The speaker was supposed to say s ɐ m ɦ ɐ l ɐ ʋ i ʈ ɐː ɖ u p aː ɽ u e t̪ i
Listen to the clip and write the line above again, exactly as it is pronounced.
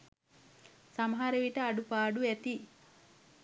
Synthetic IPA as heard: s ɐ m ɦ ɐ ɾ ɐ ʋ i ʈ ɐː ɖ u p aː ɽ u e t̪ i